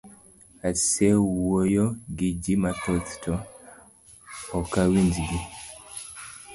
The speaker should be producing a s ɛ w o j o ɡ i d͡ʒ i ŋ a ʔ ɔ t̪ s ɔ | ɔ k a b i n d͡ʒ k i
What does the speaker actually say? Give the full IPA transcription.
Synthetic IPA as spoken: a s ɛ w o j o ɡ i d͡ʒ i m a t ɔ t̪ t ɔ | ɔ k a w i n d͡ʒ ɡ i